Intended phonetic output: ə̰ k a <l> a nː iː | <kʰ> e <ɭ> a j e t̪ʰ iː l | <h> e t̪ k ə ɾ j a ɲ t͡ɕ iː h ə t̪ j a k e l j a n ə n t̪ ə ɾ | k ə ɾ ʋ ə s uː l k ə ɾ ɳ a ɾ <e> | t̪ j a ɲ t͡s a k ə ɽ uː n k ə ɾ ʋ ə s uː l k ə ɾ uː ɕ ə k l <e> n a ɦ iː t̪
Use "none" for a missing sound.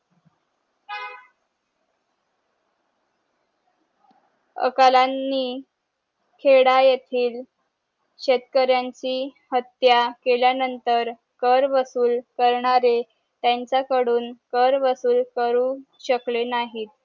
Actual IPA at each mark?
l, kʰ, ɽ, ɕ, e, e

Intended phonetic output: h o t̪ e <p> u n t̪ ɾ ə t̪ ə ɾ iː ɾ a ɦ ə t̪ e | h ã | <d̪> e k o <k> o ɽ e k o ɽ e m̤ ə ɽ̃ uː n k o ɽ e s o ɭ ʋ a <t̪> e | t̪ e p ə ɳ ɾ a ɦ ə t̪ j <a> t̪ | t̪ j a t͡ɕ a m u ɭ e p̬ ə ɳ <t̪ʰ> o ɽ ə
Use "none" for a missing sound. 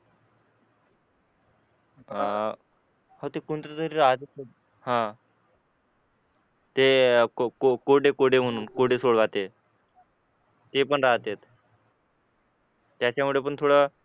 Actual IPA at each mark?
k, t̪, k, t̪, e, t̪ʰ

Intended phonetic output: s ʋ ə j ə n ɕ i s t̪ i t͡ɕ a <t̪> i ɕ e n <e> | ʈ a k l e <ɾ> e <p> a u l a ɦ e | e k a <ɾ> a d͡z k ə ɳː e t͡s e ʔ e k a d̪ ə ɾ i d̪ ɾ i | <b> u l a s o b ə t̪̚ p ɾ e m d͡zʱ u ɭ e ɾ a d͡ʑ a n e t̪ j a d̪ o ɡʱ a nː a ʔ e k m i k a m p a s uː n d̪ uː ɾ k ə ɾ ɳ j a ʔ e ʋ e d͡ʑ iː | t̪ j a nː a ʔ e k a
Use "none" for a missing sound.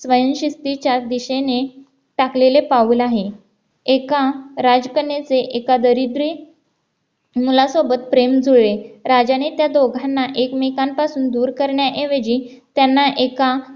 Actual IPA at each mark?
d̪, e, l, p, ɾ, m

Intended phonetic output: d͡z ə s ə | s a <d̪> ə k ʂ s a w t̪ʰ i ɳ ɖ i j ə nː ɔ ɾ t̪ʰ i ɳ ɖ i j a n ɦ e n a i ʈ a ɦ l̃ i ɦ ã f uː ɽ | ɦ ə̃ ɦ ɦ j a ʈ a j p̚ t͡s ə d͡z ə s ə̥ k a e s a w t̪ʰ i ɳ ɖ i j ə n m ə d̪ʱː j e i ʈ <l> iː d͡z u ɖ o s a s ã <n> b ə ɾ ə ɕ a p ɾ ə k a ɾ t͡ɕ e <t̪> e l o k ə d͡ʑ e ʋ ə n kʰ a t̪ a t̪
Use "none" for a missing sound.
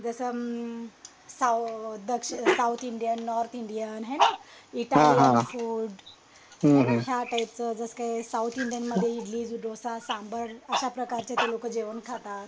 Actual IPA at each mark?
d̪, l, m, t̪

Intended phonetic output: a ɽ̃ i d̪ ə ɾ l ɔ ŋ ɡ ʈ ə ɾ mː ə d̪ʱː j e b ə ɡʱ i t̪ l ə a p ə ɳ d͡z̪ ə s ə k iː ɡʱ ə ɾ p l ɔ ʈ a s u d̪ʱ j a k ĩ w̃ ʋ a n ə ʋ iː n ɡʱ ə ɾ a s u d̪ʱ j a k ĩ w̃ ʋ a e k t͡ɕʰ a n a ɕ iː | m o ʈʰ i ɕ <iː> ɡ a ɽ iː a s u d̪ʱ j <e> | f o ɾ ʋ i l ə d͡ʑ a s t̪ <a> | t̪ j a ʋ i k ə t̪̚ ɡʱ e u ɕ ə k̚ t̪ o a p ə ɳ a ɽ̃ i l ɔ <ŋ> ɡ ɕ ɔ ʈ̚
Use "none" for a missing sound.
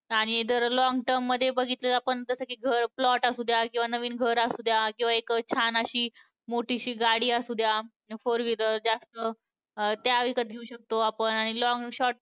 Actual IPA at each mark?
iː, a, ə, ŋ

